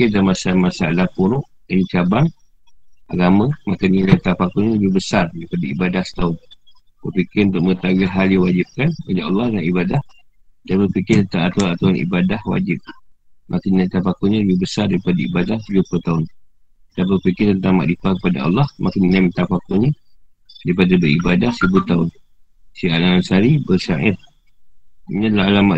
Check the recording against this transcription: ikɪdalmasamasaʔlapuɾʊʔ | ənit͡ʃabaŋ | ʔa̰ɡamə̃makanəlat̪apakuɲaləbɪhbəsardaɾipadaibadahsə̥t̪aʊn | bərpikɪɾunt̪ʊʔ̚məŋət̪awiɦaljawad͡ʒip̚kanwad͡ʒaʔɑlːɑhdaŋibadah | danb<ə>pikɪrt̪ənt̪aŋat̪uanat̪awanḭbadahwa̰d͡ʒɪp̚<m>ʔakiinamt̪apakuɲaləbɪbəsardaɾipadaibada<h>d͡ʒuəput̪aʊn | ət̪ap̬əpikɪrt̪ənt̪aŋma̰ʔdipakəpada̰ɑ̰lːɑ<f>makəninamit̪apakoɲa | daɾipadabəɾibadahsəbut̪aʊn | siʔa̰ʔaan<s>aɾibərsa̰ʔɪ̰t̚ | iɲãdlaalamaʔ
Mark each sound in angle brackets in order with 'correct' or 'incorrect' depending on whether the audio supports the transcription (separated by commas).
correct, correct, correct, incorrect, correct